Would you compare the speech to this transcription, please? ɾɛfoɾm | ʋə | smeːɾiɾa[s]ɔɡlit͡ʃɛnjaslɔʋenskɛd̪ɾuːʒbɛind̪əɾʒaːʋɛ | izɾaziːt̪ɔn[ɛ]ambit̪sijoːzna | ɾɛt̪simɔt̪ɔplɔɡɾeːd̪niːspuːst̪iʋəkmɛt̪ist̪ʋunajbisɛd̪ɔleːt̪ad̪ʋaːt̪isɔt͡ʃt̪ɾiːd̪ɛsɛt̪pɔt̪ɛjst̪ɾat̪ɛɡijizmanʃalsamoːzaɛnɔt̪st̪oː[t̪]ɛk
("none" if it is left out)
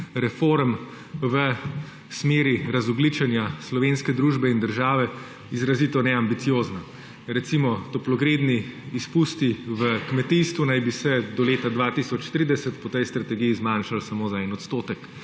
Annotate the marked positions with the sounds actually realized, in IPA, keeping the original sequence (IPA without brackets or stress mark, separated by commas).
z, ɛ, t̪